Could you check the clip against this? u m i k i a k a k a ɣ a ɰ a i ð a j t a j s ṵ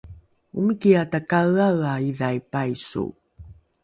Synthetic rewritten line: u m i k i a t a k a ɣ a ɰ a i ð a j p a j s ṵ